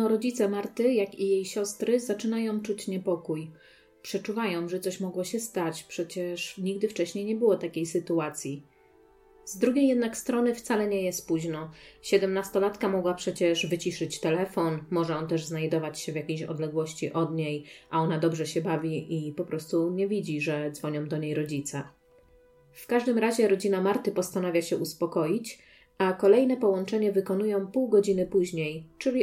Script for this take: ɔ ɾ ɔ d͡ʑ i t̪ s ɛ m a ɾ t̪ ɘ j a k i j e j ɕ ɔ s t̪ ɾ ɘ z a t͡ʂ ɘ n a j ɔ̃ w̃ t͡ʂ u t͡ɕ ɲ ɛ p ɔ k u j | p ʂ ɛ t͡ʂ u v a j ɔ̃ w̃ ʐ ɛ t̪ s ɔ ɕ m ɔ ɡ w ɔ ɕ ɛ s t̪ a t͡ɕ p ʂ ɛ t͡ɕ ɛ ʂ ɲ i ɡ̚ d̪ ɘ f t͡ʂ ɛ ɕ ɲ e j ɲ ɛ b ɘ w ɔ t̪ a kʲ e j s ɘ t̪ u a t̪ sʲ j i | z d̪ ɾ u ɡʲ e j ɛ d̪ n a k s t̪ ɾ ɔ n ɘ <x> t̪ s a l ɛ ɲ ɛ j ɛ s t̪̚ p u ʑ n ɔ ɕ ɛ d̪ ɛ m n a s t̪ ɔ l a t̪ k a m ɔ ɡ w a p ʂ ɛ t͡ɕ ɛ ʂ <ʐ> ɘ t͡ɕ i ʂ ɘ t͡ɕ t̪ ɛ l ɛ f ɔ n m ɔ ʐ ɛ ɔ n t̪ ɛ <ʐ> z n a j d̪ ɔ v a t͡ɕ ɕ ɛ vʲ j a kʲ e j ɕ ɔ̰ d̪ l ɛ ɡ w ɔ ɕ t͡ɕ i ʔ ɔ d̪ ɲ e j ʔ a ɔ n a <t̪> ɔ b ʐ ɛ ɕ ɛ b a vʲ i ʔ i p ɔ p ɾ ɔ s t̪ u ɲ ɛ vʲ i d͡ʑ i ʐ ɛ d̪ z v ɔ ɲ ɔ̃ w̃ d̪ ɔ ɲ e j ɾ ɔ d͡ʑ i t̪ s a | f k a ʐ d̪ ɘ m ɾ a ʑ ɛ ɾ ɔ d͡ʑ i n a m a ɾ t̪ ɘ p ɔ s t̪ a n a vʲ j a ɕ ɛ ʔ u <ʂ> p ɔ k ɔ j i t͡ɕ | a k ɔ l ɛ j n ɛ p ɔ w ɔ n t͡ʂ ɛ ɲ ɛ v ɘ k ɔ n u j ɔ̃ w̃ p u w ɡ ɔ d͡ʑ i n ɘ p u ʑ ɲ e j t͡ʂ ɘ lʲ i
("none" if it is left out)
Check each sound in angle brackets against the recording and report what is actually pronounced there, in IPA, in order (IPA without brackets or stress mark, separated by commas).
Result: f, v, ʐ, d̪, s